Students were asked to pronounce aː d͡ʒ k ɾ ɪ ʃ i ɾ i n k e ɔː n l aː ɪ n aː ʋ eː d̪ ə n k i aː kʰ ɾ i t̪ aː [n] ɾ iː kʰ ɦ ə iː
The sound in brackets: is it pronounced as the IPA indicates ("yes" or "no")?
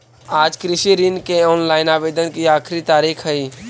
no